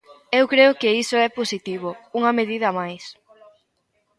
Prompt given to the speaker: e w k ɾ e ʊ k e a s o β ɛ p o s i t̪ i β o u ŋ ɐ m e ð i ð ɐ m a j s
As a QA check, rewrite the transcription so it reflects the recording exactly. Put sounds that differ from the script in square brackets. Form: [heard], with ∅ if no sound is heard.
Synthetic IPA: e w k ɾ e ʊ k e [i] s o [∅] ɛ p o s i t̪ i β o u ŋ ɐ m e ð i ð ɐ m a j s